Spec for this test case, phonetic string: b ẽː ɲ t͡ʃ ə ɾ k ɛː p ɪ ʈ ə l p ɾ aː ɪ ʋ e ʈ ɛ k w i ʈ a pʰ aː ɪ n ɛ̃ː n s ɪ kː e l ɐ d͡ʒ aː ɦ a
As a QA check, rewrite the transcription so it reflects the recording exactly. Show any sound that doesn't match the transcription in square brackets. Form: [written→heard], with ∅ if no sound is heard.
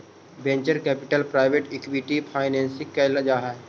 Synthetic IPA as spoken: b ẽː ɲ t͡ʃ ə ɾ k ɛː p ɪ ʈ ə l p ɾ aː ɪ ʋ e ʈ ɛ k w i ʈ [a→i] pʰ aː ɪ n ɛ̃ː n s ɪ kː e l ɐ d͡ʒ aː ɦ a